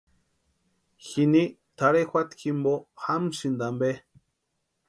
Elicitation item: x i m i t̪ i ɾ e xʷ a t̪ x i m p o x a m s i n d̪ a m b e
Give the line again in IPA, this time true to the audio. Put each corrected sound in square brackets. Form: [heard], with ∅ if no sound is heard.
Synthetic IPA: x i [n] i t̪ [a] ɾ e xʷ a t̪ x i m [b] o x a m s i n d̪ a m b e